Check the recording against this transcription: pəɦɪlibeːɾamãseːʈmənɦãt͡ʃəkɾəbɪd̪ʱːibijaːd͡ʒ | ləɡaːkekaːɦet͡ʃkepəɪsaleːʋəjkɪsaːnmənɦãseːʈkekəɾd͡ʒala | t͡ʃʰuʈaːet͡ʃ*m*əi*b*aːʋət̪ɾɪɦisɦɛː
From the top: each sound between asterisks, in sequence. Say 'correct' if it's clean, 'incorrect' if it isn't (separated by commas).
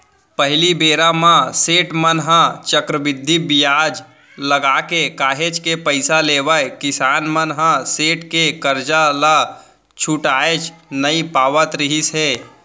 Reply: incorrect, incorrect